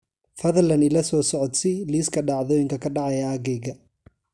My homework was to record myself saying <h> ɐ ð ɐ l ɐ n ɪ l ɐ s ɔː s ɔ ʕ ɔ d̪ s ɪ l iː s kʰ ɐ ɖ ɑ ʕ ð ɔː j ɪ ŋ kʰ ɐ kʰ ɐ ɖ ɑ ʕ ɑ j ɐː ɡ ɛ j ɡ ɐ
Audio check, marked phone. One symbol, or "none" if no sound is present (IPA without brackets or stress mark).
f